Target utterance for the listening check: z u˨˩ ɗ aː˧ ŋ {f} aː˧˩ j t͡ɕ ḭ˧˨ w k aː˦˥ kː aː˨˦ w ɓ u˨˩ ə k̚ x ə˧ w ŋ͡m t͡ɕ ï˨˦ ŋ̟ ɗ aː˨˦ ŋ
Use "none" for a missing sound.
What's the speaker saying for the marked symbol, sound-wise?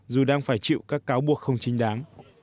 f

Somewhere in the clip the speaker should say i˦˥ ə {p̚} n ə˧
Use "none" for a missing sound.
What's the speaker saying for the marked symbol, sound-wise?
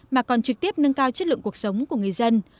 p̚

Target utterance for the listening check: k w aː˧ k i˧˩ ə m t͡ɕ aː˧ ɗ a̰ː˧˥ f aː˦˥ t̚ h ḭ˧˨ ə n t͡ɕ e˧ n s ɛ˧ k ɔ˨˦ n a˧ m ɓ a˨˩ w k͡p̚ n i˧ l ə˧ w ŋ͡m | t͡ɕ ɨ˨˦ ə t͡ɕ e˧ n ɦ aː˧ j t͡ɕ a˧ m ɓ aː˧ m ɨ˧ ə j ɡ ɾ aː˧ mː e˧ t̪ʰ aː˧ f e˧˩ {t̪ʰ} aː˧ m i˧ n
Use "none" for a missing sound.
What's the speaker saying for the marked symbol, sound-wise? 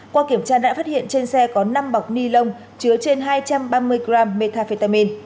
t̪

